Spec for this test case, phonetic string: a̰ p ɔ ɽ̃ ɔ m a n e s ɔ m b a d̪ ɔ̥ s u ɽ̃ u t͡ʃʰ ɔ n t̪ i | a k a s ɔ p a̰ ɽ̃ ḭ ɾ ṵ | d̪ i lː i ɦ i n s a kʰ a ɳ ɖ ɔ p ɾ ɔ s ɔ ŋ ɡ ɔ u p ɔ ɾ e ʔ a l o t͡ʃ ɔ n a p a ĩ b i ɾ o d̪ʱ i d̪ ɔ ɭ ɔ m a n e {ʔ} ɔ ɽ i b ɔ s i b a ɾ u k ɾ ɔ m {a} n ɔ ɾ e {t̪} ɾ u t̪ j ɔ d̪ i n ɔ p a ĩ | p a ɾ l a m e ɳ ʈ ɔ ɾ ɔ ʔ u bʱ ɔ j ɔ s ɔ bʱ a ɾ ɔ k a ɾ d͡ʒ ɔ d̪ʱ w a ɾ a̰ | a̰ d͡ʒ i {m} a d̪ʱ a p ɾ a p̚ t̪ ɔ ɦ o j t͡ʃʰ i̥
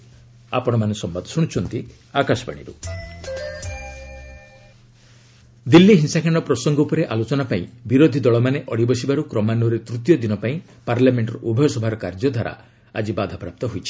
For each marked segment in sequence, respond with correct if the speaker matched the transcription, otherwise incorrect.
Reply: correct, correct, correct, incorrect

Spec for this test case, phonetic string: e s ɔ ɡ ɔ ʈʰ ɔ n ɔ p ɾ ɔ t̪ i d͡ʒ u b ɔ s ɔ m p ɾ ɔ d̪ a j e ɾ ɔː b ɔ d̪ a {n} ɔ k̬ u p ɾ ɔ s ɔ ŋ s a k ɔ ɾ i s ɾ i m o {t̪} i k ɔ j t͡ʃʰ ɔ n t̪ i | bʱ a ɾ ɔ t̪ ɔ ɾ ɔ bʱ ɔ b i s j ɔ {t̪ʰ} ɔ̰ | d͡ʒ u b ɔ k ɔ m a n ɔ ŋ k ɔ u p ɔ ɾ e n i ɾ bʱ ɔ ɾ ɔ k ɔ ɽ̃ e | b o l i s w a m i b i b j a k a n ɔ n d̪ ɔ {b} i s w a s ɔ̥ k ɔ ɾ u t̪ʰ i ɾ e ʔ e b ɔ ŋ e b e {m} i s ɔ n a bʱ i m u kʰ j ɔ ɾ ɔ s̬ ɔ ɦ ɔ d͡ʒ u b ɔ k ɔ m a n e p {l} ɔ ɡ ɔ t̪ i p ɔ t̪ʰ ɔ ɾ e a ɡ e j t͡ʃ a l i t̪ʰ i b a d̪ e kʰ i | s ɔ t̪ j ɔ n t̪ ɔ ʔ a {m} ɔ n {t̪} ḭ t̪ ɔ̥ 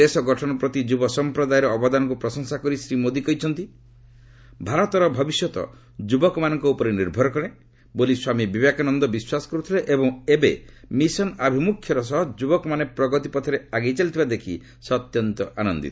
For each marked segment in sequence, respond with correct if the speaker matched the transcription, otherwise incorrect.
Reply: correct, incorrect, incorrect, correct, correct, incorrect, incorrect, incorrect

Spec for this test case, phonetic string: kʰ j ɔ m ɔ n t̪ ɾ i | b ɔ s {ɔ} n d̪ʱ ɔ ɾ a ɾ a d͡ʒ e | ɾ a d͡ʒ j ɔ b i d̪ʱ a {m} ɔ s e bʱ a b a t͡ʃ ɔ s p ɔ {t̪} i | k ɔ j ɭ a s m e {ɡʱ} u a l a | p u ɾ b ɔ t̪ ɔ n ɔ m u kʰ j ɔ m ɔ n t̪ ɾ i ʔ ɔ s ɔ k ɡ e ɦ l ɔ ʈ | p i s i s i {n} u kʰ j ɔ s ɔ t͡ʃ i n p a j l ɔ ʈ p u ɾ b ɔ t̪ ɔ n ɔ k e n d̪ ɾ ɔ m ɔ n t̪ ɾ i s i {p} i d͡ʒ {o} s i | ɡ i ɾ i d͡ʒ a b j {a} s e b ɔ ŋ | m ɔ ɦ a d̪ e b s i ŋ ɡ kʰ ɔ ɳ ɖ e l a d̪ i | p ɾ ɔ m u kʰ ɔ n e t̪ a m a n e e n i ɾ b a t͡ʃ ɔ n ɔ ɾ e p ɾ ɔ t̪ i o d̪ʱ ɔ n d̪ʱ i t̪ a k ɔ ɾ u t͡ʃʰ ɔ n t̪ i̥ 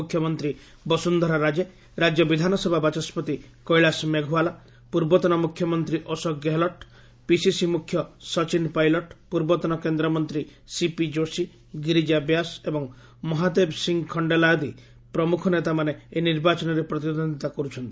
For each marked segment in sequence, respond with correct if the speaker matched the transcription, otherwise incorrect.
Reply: incorrect, incorrect, correct, correct, incorrect, correct, correct, correct

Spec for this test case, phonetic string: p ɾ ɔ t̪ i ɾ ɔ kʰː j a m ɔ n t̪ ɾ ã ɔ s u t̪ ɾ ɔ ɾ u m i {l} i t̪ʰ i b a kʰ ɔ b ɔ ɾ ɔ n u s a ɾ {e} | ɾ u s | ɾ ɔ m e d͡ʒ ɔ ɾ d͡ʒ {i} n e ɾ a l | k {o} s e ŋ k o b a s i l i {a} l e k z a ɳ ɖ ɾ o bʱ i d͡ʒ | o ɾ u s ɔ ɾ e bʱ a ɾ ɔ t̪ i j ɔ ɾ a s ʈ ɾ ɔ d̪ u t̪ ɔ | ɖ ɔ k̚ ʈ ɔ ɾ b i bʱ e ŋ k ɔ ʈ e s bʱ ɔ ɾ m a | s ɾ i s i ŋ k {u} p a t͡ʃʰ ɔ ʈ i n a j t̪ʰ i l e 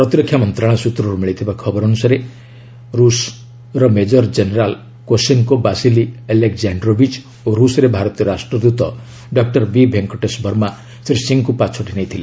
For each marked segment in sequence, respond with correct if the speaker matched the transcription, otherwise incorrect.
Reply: incorrect, correct, incorrect, correct, incorrect, correct

